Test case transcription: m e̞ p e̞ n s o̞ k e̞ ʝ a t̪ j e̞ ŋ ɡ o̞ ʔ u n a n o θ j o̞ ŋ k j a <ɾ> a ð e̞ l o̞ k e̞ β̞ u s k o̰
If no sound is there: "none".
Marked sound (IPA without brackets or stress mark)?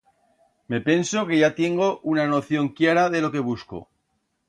ɾ